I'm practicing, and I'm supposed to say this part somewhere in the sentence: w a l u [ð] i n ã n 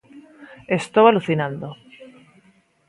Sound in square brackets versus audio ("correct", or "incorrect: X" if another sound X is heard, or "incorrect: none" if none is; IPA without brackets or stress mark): incorrect: θ